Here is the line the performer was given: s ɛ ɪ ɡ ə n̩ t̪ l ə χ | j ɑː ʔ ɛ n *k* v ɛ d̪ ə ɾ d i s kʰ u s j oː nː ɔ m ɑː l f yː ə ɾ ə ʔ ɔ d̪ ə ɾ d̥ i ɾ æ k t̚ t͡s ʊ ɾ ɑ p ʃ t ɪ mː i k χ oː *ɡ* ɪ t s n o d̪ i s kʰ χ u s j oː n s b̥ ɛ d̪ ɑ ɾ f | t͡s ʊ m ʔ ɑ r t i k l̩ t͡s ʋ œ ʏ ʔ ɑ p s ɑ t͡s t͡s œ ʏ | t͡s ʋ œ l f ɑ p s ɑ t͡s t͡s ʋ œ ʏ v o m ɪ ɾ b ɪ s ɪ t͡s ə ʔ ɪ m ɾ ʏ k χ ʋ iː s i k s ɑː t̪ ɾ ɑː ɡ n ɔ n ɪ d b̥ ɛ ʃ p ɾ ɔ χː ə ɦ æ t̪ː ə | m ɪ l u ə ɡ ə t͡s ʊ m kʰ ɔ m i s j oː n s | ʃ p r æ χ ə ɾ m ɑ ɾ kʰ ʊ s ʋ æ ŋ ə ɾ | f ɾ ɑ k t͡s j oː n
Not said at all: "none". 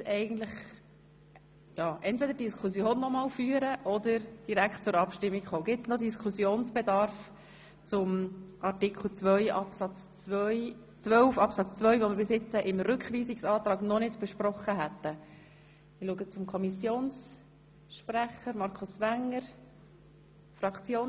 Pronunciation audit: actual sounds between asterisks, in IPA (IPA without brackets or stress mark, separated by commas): t, ɡ